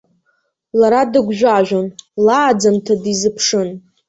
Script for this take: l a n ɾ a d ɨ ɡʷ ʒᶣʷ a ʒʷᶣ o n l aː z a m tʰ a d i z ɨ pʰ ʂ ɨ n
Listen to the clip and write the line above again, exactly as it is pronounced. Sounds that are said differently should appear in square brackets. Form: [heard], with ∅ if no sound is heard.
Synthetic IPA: l a [∅] ɾ a d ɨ ɡʷ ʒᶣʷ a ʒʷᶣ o n l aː [d͡z] a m tʰ a d i z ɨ pʰ ʂ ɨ n